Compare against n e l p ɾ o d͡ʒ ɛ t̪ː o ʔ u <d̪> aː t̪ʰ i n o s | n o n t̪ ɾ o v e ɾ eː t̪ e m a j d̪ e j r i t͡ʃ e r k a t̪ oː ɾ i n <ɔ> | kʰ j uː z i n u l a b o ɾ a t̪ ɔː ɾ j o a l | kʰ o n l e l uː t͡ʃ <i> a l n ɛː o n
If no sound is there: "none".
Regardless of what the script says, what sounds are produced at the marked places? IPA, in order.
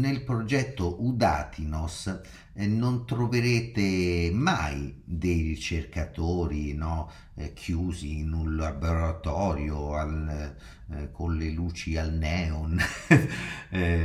d̪, ɔ, i

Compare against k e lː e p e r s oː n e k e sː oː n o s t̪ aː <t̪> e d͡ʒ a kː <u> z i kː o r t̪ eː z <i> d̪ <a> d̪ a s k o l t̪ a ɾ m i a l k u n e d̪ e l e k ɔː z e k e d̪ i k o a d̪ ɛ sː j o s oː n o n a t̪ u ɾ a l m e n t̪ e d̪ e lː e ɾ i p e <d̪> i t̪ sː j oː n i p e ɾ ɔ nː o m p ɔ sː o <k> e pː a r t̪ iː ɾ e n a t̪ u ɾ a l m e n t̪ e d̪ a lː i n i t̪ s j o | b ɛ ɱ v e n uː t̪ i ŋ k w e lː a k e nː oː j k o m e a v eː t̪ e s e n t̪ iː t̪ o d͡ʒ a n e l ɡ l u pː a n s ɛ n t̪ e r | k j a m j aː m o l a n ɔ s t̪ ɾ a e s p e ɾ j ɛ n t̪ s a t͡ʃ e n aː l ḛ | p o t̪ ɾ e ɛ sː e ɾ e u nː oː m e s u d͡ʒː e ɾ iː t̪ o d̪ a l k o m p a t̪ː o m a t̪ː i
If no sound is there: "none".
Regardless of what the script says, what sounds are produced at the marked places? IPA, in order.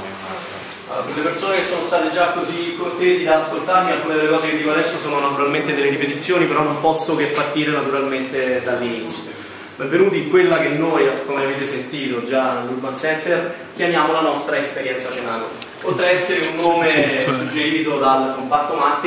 t̪, o, i, a, t̪, k

